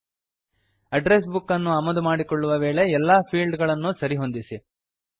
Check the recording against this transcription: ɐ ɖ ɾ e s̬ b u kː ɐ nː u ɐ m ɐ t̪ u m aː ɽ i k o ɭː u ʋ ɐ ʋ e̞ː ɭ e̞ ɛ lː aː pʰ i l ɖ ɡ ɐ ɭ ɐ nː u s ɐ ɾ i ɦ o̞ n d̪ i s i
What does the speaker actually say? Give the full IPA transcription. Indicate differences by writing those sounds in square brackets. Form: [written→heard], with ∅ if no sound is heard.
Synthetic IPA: ɐ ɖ ɾ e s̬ b u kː ɐ nː u ɐ m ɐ [t̪→d̪] u m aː ɽ i k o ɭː u ʋ ɐ ʋ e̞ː ɭ e̞ ɛ lː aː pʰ [i→iː] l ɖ ɡ ɐ ɭ ɐ nː u s ɐ ɾ i ɦ o̞ n d̪ i s i

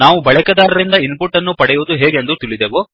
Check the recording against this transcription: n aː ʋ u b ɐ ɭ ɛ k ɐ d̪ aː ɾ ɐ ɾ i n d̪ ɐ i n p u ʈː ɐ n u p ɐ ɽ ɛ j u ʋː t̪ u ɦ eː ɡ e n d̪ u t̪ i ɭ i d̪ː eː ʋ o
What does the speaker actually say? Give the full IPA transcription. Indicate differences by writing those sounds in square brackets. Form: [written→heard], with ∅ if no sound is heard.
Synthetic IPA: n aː ʋ u b ɐ ɭ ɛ k ɐ d̪ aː ɾ ɐ ɾ i n d̪ ɐ i n p u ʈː ɐ [n→nː] u p ɐ ɽ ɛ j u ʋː [t̪→d̪] u ɦ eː ɡ e n d̪ u t̪ i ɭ i [d̪ː→d̪] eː ʋ o

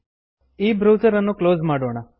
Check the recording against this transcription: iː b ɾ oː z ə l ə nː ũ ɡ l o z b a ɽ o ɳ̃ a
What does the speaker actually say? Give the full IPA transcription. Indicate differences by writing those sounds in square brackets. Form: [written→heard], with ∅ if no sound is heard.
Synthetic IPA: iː b ɾ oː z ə [l→ɾ] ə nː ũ [ɡ→k] l o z [b→m] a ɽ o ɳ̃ a

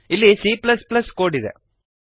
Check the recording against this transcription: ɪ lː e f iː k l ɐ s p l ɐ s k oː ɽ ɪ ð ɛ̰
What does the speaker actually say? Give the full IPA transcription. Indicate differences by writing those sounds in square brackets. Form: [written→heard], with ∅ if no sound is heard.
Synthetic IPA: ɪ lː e [f→s] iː [k→p] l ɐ s p l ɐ s k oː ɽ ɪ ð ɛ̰

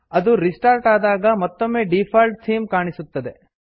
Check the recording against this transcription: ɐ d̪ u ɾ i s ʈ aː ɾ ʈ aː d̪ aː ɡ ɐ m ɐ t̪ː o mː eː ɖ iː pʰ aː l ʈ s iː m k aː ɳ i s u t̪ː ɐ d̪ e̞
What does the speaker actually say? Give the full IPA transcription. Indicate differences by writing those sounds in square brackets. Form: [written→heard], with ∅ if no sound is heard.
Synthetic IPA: ɐ d̪ u ɾ i s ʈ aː ɾ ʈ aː d̪ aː ɡ ɐ m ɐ t̪ː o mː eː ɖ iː pʰ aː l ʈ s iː m k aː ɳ i s u t̪ː ɐ d̪ e̞

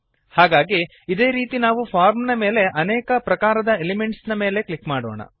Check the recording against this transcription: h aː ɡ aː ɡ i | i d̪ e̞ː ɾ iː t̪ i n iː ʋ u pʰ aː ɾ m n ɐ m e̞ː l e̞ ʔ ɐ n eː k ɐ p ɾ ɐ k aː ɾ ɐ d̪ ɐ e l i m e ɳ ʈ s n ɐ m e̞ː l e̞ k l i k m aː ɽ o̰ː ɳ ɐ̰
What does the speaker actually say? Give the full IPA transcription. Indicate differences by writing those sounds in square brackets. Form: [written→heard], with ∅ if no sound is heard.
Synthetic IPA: h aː ɡ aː ɡ i | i d̪ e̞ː ɾ iː t̪ i n [iː→aː] ʋ u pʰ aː ɾ m n ɐ m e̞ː l e̞ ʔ ɐ n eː k ɐ p ɾ ɐ k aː ɾ ɐ d̪ ɐ e l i m e ɳ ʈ s n ɐ m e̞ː l e̞ k l i k m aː ɽ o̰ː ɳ ɐ̰

